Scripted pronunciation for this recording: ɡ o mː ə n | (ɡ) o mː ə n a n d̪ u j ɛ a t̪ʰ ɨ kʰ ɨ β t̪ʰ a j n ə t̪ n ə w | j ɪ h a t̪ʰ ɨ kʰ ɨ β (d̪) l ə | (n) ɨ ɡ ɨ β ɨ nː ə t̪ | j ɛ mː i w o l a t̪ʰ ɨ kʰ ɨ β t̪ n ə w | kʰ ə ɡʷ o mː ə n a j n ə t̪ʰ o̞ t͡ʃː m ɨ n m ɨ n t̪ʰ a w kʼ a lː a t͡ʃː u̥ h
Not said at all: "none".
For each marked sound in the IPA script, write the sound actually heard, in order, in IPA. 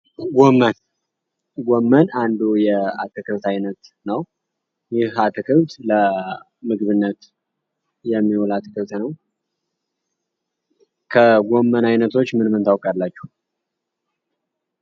ɡ, t̪, m

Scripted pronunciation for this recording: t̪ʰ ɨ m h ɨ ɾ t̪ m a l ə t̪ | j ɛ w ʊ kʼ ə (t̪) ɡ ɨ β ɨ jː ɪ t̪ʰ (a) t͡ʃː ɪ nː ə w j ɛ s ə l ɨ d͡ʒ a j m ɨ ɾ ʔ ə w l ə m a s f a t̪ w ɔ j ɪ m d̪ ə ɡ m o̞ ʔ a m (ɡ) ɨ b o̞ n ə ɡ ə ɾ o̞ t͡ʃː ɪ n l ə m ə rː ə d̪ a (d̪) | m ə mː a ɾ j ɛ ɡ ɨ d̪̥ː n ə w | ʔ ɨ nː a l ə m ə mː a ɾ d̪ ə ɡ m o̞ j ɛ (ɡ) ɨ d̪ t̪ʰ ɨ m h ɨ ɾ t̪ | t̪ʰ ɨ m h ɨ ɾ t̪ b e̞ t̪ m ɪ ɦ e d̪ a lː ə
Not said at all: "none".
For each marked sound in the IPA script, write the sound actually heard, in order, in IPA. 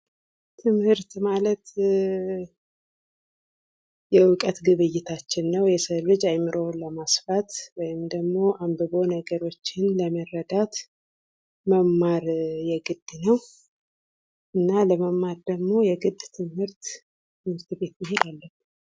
t̪, a, b, t̪, ɡ

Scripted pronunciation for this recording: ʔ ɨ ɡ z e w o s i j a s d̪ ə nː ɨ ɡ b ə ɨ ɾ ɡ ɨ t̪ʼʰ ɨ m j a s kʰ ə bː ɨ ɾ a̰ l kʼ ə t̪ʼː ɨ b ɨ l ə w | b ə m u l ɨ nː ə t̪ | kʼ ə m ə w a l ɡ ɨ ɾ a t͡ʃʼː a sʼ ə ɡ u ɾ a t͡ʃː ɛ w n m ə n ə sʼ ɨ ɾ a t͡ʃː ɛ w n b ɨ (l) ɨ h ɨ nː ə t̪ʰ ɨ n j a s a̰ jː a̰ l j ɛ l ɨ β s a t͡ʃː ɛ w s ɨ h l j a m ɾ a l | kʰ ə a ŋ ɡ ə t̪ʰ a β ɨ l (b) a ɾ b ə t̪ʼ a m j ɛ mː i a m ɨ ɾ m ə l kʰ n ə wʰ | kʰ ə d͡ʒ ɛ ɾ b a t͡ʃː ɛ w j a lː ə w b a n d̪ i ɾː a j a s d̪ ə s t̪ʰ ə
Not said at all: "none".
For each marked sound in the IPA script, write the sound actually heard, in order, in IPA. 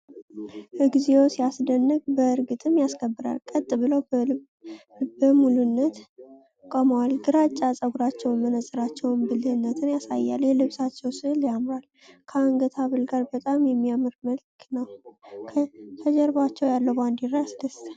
l, ɡ

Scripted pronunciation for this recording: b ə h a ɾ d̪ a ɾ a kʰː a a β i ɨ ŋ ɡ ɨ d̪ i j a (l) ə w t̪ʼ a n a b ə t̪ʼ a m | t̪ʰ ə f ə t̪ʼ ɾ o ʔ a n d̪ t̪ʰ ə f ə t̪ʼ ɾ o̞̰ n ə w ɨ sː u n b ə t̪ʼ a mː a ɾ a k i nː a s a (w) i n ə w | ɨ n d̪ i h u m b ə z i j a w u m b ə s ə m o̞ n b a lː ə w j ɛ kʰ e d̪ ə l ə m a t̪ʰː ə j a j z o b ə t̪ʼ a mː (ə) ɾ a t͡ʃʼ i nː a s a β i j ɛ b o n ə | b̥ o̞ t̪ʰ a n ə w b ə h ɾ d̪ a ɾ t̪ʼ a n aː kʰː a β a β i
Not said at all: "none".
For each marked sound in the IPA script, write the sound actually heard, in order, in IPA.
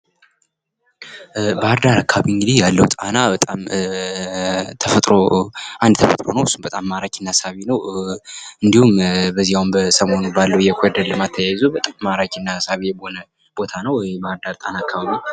lː, β, a

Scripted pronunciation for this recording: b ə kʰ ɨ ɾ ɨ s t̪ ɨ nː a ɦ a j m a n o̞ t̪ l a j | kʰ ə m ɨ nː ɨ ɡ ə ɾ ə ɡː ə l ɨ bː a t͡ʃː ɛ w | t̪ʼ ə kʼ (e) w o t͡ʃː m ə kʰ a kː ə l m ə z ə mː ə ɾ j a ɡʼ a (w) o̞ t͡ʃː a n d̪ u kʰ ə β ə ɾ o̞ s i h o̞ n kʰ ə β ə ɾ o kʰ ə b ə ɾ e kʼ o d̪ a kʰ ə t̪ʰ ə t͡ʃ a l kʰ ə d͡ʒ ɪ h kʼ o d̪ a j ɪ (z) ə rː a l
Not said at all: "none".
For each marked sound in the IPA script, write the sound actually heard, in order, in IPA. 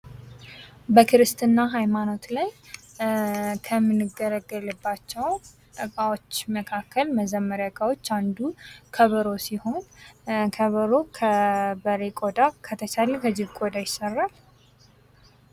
a, w, s

